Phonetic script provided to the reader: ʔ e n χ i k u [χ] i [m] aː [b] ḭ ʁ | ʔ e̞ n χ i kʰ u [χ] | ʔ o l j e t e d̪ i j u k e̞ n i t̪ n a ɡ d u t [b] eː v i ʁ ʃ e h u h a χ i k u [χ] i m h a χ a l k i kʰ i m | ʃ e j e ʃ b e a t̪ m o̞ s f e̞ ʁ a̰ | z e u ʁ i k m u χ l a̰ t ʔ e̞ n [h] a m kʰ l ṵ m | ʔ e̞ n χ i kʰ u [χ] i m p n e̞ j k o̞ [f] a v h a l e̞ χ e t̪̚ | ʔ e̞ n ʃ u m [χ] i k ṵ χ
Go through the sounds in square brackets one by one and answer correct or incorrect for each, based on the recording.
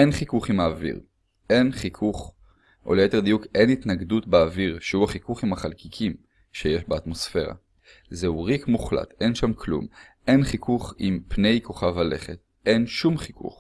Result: correct, correct, incorrect, correct, correct, correct, incorrect, correct, incorrect, correct

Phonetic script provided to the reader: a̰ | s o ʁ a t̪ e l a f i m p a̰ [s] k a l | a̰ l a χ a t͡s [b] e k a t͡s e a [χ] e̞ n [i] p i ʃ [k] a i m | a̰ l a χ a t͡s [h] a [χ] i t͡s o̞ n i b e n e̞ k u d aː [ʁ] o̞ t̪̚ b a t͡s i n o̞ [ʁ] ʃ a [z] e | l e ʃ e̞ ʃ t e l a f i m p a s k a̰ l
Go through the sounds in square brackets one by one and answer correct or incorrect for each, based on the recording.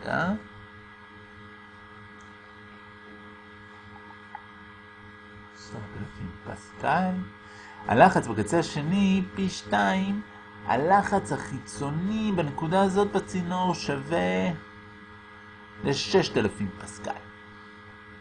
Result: correct, correct, incorrect, correct, incorrect, correct, correct, incorrect, correct, incorrect

